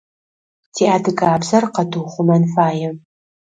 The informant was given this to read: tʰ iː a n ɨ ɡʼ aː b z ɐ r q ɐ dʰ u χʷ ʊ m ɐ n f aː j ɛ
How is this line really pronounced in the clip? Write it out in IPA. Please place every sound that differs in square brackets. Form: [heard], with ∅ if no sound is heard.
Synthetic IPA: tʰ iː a [d] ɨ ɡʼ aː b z ɐ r q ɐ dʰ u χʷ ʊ m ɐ n f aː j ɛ